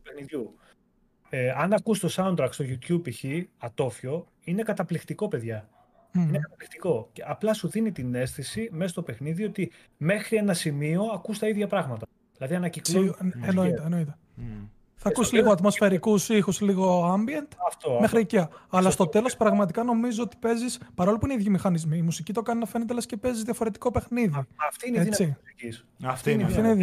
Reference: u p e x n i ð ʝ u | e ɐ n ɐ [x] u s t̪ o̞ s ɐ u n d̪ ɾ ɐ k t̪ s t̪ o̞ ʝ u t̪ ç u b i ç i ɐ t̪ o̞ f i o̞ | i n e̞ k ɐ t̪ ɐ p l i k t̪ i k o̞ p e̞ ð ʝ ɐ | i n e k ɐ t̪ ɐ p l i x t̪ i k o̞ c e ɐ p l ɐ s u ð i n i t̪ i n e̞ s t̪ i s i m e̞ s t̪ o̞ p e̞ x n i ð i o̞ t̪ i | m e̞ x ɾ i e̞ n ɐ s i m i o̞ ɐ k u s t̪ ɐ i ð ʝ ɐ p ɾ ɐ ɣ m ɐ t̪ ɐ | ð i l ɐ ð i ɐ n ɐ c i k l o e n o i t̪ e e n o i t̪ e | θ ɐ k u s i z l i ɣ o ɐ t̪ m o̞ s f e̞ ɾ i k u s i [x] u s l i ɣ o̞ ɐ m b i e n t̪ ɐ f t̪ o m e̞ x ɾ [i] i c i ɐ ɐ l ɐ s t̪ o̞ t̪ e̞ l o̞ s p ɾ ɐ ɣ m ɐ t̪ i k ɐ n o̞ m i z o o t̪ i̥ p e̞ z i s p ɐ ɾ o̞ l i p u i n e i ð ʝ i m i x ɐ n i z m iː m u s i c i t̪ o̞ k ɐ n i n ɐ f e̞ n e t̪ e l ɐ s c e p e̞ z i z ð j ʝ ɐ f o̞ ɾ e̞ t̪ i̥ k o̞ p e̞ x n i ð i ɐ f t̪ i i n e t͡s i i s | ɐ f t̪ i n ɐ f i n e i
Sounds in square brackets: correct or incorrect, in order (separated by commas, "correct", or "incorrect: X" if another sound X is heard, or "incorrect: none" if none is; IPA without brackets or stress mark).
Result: incorrect: k, correct, correct